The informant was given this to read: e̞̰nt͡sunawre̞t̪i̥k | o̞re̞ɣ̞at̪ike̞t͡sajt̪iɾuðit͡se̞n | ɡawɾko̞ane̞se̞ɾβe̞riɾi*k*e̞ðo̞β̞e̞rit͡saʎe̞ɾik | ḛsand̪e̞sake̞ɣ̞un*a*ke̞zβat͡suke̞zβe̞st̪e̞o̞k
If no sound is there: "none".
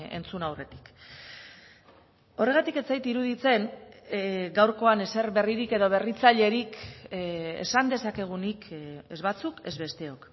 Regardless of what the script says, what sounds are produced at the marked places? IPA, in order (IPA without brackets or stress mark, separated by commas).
k, i